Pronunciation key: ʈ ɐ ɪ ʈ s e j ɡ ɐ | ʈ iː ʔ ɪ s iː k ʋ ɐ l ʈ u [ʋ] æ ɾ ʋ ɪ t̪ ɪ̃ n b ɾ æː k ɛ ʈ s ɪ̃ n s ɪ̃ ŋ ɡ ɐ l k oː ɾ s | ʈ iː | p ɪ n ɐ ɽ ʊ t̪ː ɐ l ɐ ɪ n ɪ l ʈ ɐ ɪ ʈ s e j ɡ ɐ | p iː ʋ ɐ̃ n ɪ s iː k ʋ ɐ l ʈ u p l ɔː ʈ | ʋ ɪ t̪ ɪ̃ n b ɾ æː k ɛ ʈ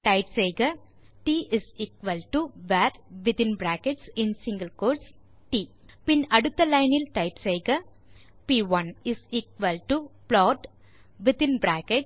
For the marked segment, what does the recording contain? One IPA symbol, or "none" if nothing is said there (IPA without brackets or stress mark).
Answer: ʋ